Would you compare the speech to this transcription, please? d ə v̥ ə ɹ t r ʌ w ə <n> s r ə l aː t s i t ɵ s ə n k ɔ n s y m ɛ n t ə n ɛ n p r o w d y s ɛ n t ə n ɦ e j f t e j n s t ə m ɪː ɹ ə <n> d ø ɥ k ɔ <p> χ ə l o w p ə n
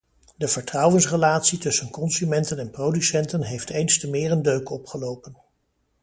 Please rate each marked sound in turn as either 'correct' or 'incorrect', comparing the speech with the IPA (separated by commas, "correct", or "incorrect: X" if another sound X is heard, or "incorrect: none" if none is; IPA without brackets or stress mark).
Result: correct, correct, correct